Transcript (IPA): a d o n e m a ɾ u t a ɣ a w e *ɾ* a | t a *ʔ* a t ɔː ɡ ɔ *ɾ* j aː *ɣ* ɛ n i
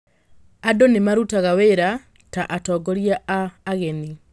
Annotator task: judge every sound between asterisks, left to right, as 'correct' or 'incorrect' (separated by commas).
correct, correct, correct, correct